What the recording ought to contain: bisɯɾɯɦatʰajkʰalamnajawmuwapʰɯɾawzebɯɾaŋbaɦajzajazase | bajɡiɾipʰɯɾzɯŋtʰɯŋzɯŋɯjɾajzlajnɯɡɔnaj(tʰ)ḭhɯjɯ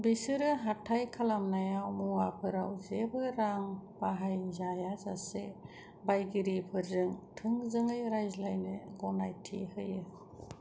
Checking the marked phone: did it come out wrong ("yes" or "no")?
no